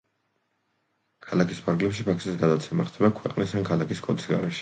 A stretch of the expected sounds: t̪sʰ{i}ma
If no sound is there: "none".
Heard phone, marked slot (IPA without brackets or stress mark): ɛ